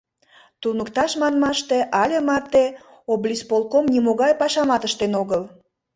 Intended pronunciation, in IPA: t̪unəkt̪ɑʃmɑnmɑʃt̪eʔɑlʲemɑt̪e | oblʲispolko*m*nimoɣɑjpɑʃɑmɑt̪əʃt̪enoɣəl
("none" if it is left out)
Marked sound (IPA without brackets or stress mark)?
m